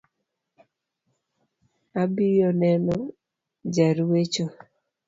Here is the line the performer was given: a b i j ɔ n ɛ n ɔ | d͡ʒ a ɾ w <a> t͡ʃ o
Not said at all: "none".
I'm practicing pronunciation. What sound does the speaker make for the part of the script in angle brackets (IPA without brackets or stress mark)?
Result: e